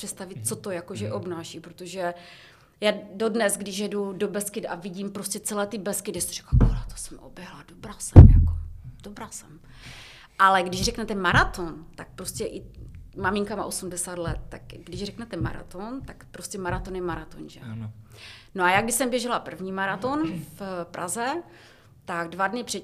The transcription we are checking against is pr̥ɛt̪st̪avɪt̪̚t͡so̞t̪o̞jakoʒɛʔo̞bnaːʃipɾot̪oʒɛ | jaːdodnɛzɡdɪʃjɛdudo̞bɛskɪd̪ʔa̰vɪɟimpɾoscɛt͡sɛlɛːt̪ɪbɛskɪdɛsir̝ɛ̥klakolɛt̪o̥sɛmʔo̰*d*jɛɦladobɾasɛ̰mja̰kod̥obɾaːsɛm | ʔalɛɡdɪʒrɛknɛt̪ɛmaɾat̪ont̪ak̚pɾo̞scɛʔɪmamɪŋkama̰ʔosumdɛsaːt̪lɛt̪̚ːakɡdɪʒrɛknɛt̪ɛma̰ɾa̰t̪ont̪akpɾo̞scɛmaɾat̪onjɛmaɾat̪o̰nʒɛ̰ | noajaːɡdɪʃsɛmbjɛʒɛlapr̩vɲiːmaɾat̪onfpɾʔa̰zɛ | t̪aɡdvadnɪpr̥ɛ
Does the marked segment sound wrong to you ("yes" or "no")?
yes